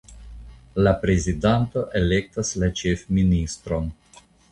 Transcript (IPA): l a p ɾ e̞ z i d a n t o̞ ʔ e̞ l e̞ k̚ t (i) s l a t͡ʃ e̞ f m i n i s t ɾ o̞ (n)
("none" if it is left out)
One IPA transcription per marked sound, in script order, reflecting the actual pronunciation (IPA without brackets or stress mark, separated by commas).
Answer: a, n